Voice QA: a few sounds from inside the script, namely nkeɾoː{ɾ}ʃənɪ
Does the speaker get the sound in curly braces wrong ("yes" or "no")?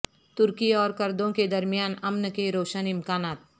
yes